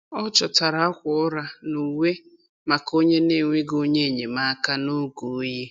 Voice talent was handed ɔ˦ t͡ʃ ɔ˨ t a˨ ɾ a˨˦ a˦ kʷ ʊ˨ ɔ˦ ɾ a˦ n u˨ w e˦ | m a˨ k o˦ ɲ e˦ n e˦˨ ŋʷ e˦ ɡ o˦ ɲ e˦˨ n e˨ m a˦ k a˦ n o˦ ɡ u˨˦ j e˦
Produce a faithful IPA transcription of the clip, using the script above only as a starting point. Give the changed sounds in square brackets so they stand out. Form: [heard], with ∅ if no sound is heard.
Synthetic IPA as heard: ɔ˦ t͡ʃ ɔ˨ t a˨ ɾ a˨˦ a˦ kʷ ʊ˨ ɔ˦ ɾ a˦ n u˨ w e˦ | m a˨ k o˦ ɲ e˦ n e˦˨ ŋʷ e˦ ɡ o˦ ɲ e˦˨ [ɲ] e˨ m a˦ k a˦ n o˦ ɡ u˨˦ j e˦